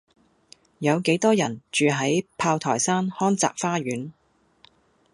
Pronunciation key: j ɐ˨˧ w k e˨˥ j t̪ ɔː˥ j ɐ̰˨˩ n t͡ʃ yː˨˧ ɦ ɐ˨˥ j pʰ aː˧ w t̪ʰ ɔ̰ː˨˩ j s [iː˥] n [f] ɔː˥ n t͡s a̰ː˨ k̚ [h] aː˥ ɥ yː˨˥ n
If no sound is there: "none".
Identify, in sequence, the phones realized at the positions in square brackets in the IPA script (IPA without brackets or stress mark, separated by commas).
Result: aː˥, h, f